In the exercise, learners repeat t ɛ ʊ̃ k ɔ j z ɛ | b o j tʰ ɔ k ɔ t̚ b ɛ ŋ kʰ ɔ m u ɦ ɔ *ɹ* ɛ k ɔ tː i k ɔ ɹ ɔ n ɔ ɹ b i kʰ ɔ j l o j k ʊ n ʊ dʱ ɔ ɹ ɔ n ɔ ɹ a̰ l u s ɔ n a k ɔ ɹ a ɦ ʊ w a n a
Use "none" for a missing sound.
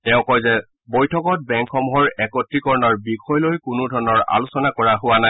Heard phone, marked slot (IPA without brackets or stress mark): ɹ